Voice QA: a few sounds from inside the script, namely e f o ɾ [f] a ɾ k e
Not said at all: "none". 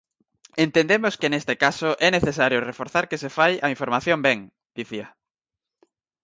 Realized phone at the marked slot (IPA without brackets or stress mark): θ